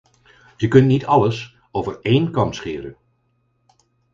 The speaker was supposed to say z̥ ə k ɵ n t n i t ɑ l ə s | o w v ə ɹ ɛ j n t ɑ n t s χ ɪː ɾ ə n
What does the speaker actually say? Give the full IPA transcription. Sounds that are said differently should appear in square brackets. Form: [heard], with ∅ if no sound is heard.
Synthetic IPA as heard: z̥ ə k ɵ n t n i t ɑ l ə s | o w v ə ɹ [e] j n [k] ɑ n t s χ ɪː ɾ ə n